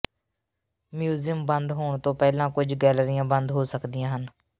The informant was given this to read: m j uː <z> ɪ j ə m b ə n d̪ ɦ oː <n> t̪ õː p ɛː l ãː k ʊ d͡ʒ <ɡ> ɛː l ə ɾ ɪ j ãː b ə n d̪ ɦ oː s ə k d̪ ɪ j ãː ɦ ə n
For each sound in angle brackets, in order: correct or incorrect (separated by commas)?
correct, incorrect, correct